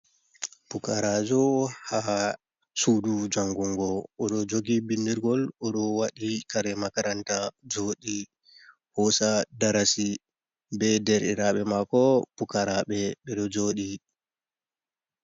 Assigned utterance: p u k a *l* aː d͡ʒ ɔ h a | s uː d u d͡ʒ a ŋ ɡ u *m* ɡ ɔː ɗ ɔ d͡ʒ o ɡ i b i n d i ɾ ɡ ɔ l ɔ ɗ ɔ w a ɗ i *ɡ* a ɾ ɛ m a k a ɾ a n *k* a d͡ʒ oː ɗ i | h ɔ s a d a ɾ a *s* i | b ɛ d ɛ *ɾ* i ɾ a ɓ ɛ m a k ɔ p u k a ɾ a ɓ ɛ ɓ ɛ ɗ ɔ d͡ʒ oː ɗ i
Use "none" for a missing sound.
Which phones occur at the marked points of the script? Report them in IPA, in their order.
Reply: ɾ, ŋ, k, t, s, ɾ

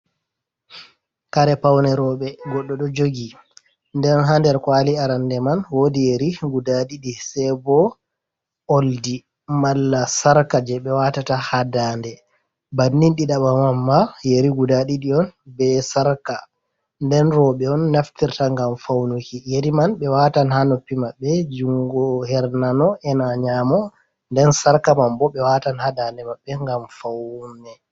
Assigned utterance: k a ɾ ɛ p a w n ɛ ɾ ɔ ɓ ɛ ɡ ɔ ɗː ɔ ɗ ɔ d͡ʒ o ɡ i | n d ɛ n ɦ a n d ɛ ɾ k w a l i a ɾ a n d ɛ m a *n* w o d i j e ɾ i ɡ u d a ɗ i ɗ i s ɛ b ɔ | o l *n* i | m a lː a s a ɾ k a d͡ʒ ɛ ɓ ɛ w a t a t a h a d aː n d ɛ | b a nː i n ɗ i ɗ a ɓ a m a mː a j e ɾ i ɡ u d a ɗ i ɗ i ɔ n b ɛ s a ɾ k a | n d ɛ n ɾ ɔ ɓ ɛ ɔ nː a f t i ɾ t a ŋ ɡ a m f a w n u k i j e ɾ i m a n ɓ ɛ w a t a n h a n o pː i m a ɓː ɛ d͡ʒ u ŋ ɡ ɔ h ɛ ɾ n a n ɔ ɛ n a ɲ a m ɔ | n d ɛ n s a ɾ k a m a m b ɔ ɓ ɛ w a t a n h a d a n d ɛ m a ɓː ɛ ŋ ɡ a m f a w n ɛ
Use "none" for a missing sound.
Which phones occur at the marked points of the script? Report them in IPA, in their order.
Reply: n, d

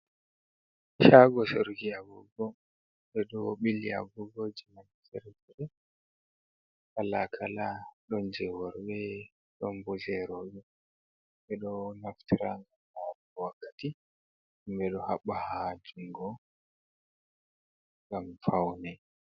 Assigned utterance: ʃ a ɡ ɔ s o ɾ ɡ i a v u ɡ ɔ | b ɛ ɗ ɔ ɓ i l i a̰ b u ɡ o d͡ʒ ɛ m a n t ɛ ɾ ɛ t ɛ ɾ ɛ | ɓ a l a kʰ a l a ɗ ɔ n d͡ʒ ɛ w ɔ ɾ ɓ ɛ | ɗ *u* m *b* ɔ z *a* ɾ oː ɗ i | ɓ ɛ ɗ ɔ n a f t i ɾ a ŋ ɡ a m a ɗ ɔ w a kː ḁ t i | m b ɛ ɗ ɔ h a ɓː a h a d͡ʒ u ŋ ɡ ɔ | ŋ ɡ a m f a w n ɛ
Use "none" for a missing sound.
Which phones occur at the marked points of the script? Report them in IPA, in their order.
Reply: ɔ, b, ɛ

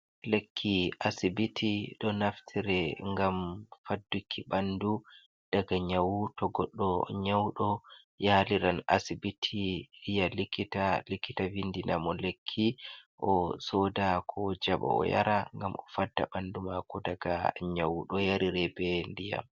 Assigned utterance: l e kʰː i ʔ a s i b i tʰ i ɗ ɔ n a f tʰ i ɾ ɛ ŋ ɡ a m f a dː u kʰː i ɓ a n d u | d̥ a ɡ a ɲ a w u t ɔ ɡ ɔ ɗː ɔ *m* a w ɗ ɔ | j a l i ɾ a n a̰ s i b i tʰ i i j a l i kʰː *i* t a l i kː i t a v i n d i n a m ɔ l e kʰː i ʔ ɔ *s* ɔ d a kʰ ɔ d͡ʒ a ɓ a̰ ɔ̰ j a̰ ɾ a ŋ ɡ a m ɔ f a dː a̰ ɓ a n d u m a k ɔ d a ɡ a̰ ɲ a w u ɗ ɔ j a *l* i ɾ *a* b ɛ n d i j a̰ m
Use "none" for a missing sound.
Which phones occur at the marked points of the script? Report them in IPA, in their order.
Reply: ɲ, i, s, ɾ, ɛ

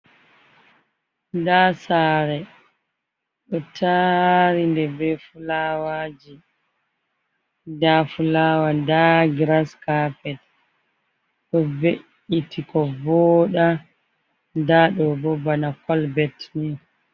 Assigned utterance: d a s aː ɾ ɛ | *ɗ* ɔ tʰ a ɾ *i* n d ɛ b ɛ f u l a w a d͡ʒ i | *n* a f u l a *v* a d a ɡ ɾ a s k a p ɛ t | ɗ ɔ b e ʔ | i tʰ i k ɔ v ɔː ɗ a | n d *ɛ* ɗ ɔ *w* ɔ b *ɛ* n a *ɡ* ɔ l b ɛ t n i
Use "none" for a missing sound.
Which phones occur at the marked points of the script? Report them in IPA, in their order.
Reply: ɗ, i, d, w, a, b, a, k

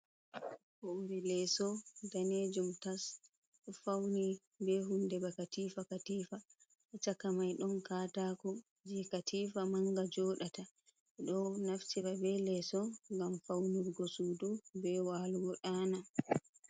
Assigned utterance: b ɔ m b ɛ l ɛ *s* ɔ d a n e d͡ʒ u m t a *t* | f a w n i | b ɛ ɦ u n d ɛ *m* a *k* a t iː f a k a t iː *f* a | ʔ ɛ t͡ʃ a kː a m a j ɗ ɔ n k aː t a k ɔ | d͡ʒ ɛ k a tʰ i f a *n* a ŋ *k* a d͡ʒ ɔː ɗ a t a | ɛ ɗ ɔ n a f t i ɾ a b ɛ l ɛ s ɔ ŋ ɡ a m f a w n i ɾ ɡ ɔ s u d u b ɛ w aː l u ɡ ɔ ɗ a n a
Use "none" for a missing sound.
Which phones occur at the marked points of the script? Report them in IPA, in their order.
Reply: s, s, b, k, f, m, ɡ

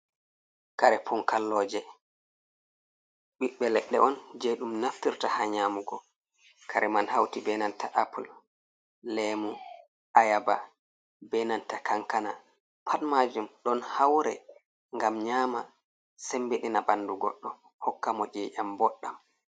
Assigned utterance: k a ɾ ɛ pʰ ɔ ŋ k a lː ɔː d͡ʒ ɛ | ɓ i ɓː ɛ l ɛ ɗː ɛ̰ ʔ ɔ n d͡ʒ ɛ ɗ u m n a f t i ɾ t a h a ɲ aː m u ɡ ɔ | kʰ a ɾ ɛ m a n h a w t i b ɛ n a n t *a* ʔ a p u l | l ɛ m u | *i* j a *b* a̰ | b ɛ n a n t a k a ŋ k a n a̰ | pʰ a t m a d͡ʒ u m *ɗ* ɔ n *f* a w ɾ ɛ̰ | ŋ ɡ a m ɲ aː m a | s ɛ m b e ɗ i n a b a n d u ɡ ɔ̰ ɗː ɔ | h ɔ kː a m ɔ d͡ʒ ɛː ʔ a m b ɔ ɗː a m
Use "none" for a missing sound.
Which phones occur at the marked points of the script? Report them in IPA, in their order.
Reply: a, a, b, ɗ, h

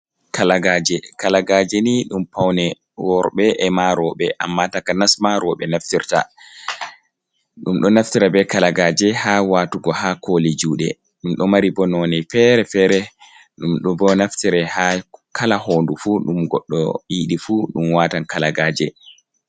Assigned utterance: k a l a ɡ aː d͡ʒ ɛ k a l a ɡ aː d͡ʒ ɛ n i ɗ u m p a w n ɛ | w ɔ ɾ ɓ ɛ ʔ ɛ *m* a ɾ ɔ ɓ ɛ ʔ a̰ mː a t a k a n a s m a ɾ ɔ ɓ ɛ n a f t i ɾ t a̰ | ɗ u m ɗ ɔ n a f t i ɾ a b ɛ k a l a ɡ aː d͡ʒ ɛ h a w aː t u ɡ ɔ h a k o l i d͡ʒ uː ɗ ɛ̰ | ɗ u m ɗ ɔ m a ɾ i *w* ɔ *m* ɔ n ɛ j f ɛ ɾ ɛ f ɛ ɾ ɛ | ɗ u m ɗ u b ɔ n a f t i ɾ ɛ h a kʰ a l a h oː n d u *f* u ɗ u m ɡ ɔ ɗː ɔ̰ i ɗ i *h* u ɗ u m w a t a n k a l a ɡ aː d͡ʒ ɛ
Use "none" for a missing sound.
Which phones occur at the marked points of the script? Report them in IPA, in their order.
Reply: m, b, n, f, f

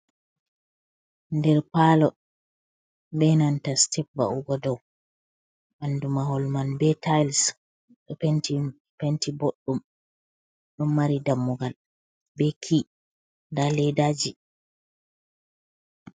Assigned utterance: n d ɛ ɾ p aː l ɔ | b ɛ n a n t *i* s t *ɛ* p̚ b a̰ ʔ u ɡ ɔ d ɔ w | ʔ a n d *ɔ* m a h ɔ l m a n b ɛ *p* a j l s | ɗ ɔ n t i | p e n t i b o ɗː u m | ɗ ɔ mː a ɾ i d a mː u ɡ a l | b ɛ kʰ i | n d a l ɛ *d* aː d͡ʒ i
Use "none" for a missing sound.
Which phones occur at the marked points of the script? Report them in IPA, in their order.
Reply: a, ɛ, u, t, d

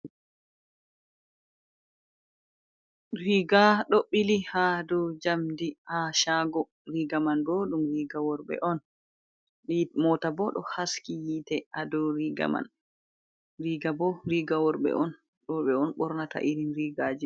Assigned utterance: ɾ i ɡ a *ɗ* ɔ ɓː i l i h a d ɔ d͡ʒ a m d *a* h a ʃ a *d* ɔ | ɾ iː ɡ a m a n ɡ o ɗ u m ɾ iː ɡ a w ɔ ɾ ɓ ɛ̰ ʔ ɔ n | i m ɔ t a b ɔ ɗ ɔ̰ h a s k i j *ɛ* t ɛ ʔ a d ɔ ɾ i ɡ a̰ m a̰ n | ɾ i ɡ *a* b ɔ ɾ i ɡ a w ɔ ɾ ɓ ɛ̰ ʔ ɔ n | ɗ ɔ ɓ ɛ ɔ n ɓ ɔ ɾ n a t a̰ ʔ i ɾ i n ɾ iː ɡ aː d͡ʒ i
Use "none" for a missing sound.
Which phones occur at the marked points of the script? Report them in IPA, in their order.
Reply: ɗ, i, ɡ, i, a

